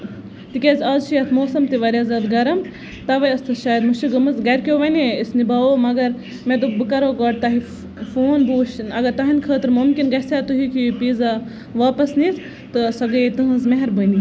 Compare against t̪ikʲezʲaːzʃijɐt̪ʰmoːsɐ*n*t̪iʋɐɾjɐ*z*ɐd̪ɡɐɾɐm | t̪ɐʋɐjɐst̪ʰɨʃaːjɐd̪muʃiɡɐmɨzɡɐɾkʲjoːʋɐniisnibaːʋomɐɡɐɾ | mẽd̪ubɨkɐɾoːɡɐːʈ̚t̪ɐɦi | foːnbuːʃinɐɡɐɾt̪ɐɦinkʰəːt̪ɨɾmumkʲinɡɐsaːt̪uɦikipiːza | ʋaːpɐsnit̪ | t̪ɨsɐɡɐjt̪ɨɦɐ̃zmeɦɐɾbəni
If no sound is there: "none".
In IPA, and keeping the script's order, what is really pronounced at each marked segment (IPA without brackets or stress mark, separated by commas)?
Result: m, z